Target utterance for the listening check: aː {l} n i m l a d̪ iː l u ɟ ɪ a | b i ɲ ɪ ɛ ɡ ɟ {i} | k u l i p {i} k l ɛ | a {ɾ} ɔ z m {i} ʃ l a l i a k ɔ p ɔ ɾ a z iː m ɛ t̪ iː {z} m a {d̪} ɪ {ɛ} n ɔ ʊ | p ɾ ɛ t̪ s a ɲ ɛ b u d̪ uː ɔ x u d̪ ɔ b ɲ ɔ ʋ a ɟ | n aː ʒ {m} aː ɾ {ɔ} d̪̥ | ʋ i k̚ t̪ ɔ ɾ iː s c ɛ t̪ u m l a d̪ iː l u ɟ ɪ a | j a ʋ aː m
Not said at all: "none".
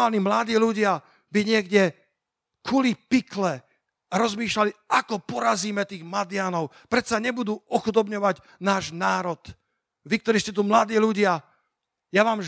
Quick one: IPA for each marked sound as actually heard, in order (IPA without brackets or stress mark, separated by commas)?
l, ɛ, i, ɾ, iː, ɣ, d̪, a, n, ɔ